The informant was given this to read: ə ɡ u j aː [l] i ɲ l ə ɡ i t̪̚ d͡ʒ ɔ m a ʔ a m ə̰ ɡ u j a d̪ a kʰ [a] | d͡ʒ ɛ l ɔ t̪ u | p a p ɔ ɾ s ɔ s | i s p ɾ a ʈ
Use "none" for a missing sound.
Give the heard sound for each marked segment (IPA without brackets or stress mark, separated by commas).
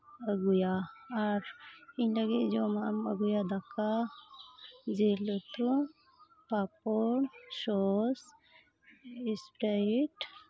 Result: ɾ, a